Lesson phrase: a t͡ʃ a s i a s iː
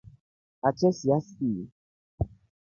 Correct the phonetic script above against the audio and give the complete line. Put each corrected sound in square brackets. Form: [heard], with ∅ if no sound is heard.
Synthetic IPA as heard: a t͡ʃ [ɛ] s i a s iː